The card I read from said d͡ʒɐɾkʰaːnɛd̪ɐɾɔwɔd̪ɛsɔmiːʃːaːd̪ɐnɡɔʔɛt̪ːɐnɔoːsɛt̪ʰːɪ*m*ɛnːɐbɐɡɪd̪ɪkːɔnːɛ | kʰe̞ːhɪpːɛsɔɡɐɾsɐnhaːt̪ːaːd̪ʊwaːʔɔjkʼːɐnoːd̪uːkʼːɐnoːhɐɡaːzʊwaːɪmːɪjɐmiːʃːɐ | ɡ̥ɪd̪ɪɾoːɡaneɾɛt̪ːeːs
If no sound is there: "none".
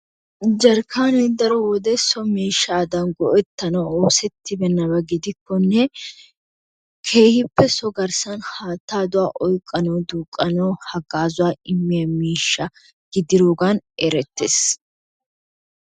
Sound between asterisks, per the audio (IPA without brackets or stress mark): b